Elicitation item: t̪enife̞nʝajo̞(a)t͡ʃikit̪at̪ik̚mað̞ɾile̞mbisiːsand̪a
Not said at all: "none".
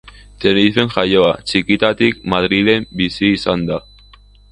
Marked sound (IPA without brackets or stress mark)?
a